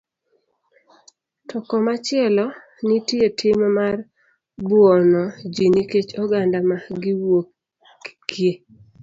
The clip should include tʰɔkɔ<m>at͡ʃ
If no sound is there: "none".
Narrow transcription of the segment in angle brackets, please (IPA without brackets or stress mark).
m